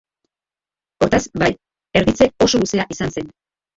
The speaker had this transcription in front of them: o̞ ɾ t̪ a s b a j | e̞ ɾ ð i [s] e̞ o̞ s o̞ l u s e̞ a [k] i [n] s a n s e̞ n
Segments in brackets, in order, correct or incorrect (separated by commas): incorrect, incorrect, incorrect